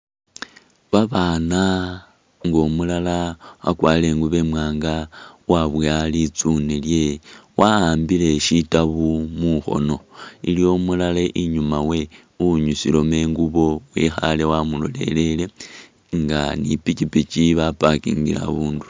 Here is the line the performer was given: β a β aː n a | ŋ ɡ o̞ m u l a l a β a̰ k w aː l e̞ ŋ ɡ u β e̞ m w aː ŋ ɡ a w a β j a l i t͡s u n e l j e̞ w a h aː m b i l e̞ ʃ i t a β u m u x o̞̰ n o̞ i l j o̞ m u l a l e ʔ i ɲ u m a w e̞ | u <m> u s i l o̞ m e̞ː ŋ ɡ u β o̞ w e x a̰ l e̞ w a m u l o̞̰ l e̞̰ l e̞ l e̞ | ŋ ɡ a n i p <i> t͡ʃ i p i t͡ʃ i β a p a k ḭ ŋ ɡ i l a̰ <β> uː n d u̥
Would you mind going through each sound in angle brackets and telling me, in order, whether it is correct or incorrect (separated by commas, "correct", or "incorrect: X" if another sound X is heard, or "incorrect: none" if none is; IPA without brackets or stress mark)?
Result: incorrect: ɲ, correct, correct